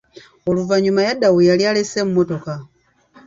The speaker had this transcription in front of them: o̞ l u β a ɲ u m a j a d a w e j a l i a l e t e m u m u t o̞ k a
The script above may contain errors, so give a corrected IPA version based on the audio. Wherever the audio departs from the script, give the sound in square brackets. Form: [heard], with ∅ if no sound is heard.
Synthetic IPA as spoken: o̞ l u [v] a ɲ u m a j a d a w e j a l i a l e [s] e m u m [o] t o̞ k a